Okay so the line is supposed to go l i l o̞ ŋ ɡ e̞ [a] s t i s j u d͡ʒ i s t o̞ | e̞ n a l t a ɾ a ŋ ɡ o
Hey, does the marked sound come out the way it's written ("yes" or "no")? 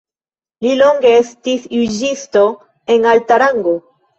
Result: no